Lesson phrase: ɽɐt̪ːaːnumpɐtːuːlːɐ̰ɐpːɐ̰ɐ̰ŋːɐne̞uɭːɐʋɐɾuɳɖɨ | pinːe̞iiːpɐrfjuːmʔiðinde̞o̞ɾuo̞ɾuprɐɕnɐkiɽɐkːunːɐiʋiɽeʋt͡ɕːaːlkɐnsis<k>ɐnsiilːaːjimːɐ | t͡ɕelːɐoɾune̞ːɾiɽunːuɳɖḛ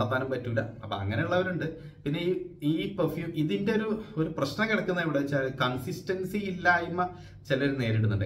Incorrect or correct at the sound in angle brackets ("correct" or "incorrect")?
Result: incorrect